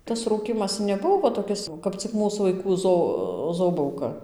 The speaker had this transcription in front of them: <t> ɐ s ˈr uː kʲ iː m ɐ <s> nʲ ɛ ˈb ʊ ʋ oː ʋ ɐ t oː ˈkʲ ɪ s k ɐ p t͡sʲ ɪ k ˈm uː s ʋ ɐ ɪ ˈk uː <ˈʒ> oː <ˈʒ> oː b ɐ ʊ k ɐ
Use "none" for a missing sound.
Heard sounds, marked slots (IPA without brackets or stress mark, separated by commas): t, s, z, z